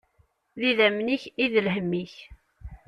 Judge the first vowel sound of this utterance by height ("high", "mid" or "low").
high